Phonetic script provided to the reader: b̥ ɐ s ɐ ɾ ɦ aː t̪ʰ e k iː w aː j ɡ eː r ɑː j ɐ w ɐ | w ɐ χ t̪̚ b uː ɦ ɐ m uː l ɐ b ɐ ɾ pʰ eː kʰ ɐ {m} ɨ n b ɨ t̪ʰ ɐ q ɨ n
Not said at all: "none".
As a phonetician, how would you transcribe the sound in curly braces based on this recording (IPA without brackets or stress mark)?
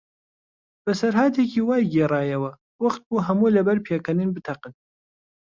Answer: n